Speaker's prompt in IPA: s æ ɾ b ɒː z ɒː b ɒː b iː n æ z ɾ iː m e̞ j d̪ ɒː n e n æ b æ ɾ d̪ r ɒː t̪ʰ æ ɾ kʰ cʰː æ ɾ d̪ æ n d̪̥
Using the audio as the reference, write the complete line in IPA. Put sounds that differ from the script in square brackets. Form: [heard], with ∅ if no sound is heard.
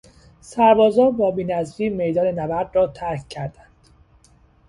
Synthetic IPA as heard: s æ ɾ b ɒː z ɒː b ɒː b iː n æ z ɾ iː m e̞ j d̪ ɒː n e n æ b æ ɾ d̪ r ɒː t̪ʰ æ ɾ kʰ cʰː æ ɾ d̪ æ n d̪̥